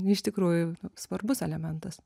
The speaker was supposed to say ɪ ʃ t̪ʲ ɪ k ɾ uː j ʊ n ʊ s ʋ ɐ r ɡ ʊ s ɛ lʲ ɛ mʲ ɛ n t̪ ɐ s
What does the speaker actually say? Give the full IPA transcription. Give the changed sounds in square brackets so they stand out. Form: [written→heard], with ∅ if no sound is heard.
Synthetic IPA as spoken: ɪ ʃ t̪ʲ ɪ k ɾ uː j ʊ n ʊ s ʋ ɐ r [ɡ→b] ʊ s ɛ lʲ ɛ mʲ ɛ n t̪ ɐ s

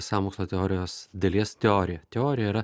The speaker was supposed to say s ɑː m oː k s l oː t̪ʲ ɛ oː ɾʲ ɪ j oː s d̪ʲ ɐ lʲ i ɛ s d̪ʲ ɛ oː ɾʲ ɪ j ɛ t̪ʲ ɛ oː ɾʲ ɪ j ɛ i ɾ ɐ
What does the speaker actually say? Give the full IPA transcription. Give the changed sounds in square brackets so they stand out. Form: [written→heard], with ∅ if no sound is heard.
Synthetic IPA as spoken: s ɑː m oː k s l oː t̪ʲ ɛ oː ɾʲ ɪ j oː s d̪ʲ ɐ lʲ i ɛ s [d̪ʲ→t̪ʲ] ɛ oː ɾʲ ɪ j ɛ t̪ʲ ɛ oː ɾʲ ɪ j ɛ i ɾ ɐ

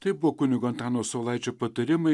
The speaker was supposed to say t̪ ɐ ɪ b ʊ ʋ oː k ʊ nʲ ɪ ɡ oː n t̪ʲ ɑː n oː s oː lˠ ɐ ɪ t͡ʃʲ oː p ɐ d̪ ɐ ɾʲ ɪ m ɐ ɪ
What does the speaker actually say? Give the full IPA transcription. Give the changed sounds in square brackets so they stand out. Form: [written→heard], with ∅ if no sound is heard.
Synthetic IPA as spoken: t̪ ɐ ɪ b ʊ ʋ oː k ʊ nʲ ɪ ɡ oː n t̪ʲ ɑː n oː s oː lˠ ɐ ɪ t͡ʃʲ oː p ɐ [d̪→t̪] ɐ ɾʲ ɪ m ɐ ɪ

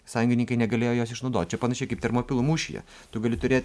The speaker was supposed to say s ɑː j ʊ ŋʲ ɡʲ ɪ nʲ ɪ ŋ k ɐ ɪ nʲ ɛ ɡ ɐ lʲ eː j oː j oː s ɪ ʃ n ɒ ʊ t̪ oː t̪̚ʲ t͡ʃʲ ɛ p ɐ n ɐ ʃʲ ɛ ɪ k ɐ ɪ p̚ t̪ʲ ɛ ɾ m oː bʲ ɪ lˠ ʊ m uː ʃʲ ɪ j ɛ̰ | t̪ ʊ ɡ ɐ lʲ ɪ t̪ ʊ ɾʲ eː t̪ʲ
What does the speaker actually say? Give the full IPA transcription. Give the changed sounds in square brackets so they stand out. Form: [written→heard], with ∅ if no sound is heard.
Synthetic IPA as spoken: s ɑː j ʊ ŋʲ ɡʲ ɪ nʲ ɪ ŋ k ɐ ɪ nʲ ɛ ɡ ɐ lʲ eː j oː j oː s ɪ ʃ n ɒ ʊ [t̪→d̪] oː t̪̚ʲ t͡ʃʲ ɛ p ɐ n ɐ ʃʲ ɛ ɪ k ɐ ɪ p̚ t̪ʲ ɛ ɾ m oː [bʲ→pʲ] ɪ lˠ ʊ m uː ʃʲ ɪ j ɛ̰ | t̪ ʊ ɡ ɐ lʲ ɪ t̪ ʊ ɾʲ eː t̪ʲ

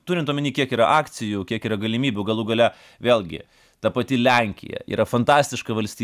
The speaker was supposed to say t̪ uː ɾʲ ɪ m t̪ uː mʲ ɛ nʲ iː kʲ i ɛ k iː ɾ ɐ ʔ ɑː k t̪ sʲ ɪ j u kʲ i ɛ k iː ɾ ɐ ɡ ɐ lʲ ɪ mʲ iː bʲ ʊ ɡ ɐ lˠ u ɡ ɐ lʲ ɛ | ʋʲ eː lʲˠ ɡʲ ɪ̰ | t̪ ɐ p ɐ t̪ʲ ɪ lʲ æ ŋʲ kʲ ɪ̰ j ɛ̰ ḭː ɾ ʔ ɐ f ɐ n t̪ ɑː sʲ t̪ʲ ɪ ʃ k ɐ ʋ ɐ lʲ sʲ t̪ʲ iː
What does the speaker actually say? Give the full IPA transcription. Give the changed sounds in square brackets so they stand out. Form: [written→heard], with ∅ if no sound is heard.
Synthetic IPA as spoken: t̪ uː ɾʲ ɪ [m→n] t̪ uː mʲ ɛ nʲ iː kʲ i ɛ k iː ɾ ɐ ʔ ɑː k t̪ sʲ ɪ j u kʲ i ɛ k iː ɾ ɐ ɡ ɐ lʲ ɪ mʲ iː bʲ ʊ ɡ ɐ lˠ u ɡ ɐ lʲ ɛ | ʋʲ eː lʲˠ ɡʲ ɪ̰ | t̪ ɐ p ɐ t̪ʲ ɪ lʲ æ ŋʲ kʲ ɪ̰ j ɛ̰ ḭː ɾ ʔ ɐ f ɐ n t̪ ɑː sʲ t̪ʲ ɪ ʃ k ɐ ʋ ɐ lʲ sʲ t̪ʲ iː

